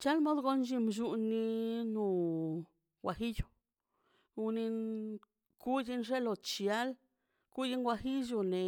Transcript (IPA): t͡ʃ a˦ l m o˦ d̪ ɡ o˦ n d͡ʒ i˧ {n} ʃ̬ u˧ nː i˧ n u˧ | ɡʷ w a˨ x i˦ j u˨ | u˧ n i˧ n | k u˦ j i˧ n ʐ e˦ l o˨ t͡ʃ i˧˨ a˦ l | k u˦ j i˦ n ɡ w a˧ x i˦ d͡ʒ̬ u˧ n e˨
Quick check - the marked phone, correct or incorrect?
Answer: incorrect: m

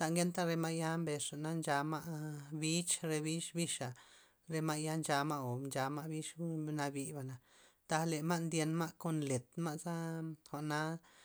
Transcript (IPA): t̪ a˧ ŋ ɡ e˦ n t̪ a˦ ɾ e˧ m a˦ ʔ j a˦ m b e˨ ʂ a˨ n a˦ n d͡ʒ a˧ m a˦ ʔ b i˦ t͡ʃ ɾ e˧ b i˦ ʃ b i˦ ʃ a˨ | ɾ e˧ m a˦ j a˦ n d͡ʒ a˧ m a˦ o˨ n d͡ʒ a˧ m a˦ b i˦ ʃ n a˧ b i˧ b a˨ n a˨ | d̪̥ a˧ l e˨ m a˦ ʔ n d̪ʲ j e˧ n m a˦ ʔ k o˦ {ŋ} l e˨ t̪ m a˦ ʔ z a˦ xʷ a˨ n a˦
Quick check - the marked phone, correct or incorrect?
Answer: incorrect: n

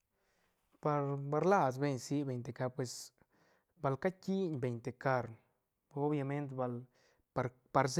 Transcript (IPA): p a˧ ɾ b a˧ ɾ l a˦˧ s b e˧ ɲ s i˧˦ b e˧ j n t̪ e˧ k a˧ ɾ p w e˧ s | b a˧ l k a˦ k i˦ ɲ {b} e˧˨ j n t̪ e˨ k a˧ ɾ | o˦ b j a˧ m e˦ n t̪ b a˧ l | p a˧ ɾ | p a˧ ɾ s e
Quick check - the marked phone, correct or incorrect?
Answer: correct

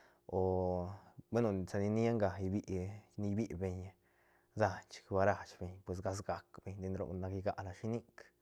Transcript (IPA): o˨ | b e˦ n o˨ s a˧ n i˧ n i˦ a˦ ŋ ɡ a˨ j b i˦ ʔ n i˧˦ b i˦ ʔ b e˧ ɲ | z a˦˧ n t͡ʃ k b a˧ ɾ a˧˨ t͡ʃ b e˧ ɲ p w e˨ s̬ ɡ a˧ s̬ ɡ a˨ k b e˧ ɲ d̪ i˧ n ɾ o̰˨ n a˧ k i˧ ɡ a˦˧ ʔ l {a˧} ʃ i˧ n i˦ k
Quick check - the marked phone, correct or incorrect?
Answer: correct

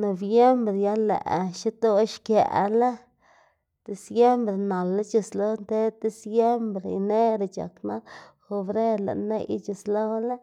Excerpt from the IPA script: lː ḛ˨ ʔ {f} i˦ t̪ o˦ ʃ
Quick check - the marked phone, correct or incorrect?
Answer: incorrect: ʃ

